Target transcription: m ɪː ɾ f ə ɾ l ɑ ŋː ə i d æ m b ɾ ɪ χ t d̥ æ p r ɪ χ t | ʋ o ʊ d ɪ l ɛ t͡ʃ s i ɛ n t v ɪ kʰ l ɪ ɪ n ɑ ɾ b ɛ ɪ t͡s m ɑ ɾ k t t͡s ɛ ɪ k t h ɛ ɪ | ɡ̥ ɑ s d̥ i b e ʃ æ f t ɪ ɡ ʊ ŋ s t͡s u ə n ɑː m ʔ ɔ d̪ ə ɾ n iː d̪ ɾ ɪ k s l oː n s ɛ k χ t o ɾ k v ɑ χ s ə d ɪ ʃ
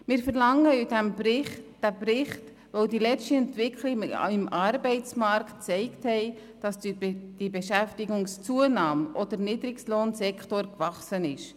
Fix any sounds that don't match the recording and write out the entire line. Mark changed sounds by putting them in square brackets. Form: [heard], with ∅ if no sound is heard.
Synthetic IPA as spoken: m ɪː ɾ f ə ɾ l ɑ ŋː ə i d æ m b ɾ ɪ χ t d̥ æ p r ɪ χ t | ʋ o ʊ d [i] l ɛ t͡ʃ [t] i ɛ n t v ɪ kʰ l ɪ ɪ [m] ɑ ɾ b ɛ ɪ t͡s m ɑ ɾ k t t͡s ɛ ɪ k t h ɛ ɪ | [d̥] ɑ s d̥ i b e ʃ æ f t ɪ ɡ ʊ ŋ s t͡s u ə n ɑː m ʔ ɔ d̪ ə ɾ n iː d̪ ɾ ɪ k s l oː n s ɛ k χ t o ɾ k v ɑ χ s ə [n] ɪ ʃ